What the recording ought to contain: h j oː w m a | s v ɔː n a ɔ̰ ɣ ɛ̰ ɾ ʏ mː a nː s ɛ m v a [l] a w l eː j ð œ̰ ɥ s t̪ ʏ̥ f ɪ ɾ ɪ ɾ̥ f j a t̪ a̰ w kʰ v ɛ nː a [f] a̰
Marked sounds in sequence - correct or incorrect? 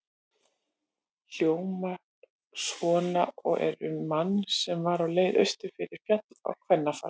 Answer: incorrect: ɾ, correct

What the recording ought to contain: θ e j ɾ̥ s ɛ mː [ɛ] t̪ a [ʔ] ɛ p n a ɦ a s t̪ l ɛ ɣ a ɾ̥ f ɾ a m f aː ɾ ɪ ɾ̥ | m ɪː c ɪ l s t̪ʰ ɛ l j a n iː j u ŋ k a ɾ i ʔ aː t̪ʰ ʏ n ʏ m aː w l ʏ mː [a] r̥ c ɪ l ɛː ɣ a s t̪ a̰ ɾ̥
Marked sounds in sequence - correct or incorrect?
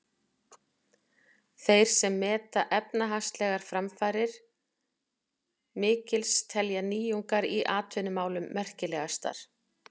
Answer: incorrect: ɛː, correct, incorrect: ɛ

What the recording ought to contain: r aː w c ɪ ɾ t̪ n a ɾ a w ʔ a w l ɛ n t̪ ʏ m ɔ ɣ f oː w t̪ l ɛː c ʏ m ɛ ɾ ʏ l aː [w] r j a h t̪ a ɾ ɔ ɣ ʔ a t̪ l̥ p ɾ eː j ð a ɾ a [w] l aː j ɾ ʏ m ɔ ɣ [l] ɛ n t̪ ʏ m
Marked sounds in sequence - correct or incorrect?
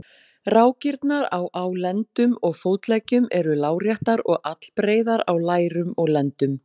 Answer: correct, correct, correct

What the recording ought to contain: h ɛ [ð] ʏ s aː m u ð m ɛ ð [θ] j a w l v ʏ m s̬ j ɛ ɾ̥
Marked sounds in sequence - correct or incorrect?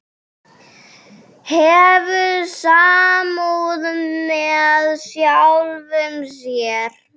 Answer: incorrect: v, incorrect: s

